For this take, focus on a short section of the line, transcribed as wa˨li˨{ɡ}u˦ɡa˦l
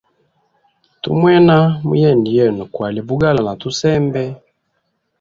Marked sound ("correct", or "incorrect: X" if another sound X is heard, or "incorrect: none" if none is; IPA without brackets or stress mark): incorrect: b